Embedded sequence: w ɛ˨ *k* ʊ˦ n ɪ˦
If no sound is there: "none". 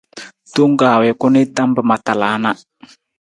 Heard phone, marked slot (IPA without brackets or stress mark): k